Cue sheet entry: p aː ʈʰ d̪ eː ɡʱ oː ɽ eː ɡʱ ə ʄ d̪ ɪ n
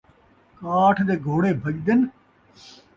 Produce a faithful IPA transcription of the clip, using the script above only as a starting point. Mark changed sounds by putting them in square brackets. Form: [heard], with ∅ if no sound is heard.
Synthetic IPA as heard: [k] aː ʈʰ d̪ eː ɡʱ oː ɽ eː [bʱ] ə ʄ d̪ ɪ n